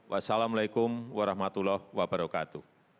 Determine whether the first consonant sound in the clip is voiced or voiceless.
voiced